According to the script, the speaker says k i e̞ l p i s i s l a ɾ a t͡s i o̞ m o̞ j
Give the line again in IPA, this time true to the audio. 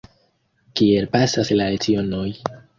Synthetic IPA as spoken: k i e̞ l p a s a s l a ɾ e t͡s i o̞ n o̞ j